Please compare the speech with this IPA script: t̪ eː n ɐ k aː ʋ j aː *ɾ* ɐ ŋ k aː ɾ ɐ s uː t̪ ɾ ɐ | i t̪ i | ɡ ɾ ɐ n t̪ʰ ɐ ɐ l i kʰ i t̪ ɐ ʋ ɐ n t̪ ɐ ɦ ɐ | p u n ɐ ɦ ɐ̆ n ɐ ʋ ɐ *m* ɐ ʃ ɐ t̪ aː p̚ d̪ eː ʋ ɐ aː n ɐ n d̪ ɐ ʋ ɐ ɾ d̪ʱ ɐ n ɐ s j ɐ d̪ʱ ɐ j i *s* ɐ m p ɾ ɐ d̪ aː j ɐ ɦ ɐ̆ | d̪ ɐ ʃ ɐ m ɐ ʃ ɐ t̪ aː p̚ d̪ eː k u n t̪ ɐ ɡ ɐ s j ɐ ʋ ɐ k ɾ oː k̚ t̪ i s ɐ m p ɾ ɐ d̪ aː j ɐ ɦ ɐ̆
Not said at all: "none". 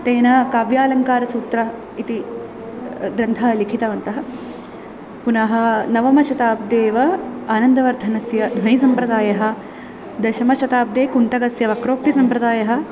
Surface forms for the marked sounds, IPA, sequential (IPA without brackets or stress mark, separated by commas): l, m, s